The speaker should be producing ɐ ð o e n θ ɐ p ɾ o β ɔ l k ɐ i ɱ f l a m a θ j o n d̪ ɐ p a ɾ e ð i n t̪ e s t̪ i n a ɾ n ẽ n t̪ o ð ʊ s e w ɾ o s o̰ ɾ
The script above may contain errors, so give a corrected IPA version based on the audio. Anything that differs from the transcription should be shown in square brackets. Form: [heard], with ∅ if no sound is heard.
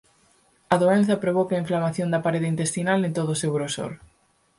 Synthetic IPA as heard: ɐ ð o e n θ ɐ p ɾ o β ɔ [∅] k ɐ i ɱ f l a m a θ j o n d̪ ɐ p a ɾ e ð i n t̪ e s t̪ i n a [l] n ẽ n t̪ o ð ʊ s e w ɾ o s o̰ ɾ

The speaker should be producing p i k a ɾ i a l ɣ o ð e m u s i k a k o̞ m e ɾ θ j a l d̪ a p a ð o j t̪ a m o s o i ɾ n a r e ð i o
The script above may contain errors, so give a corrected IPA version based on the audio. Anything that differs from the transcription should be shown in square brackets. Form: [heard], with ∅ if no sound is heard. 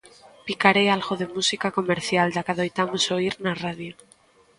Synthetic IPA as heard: p i k a ɾ [e] a l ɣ o ð e m u s i k a k o̞ m e ɾ θ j a l d̪ a [k] a ð o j t̪ a m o s o i ɾ n a r [a] ð [j] o

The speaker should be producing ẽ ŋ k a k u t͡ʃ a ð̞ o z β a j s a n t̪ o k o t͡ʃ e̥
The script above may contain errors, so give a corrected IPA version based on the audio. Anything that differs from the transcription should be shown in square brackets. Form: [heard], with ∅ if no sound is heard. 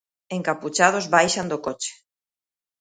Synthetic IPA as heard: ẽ ŋ k a [p] u t͡ʃ a ð̞ o z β a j [ʃ] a n [d̪] o k o t͡ʃ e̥

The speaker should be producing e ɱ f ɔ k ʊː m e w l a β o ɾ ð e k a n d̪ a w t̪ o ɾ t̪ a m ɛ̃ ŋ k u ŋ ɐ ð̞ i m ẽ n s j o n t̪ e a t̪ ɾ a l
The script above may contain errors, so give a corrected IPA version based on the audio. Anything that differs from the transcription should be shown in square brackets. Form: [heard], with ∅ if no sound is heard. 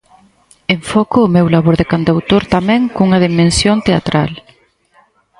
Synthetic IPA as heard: e ɱ f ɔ k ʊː m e w l a β o ɾ ð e k a n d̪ a w t̪ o ɾ t̪ a m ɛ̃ ŋ k u ŋ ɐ ð̞ i m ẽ n s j o n t̪ e a t̪ ɾ a l

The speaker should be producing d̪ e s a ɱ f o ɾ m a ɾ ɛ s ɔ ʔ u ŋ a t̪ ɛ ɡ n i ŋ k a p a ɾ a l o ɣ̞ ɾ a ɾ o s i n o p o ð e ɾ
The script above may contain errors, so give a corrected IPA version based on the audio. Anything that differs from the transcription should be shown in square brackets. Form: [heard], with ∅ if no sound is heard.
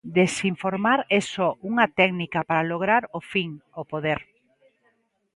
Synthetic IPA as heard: d̪ e s [i] ɱ f o ɾ m a ɾ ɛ s ɔ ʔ u ŋ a t̪ ɛ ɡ n i [∅] k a p a ɾ a l o ɣ̞ ɾ a ɾ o [f] i [ŋ] o p o ð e ɾ

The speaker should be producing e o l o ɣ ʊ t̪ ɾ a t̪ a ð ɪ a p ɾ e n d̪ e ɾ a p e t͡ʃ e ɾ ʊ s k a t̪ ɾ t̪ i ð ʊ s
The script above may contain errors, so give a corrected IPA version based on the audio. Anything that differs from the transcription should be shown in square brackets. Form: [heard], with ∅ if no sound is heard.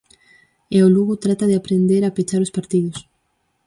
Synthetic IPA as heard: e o l [u] ɣ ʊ t̪ ɾ a t̪ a ð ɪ a p ɾ e n d̪ e ɾ a p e t͡ʃ [a] ɾ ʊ s [p] a [∅] ɾ t̪ i ð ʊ s

